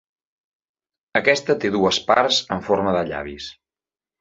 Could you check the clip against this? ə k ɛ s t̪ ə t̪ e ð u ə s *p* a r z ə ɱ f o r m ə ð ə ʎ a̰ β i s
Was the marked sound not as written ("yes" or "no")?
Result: no